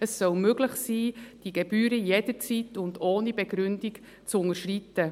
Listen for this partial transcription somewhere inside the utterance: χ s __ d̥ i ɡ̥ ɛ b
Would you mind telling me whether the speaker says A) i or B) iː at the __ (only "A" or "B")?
B